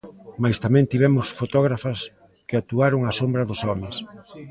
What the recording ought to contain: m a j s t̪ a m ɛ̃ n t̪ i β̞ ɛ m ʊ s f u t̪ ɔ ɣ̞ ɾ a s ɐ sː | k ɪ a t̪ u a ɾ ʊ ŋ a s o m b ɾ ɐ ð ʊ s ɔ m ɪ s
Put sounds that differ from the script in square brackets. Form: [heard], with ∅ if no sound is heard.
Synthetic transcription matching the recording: m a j s t̪ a m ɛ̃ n t̪ i β̞ ɛ m ʊ s f [o] t̪ ɔ ɣ̞ ɾ a [f] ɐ [s] | k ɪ a t̪ u a ɾ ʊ ŋ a s o m b ɾ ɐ ð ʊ s ɔ m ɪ s